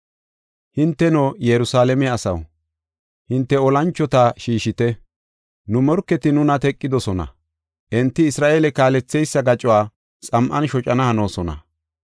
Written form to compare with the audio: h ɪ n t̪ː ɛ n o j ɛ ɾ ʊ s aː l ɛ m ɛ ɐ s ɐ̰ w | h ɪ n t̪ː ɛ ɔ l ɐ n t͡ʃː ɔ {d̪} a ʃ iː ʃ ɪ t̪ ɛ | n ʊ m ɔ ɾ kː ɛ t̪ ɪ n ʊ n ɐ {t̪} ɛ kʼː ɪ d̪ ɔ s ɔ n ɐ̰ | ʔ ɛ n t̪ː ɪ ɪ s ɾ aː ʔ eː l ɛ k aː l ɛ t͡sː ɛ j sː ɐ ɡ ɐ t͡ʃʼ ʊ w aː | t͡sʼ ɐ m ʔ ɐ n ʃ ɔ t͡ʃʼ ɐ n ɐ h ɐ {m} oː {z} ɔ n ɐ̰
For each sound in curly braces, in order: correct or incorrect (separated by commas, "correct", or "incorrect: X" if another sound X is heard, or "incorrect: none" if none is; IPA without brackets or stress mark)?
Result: incorrect: t̪, correct, incorrect: n, incorrect: s